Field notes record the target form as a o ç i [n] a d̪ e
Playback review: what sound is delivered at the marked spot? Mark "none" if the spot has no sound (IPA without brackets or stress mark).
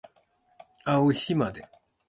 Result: m